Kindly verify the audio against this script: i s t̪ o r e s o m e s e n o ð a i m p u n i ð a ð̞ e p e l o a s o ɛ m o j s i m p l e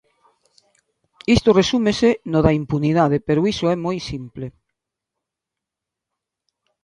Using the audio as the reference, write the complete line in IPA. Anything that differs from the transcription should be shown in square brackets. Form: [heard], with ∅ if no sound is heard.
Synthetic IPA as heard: i s t̪ o r e s [u] m e s e n o ð a i m p u n i ð a ð̞ e p e [ɾ] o [i] s o ɛ m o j s i m p l e